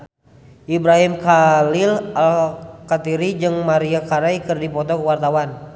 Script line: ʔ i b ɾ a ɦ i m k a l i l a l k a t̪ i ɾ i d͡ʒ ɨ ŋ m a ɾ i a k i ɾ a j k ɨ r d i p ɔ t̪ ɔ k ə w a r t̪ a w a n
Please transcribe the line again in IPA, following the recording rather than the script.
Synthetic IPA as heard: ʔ i b ɾ a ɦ i m k a l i l a l k a t̪ i ɾ i d͡ʒ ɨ ŋ m a ɾ i a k a ɾ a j k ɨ r d i p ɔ t̪ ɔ k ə w a r t̪ a w a n